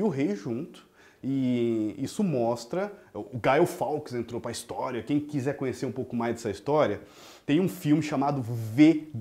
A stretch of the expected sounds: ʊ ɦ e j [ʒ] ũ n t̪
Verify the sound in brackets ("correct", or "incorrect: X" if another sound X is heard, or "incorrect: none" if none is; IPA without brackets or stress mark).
correct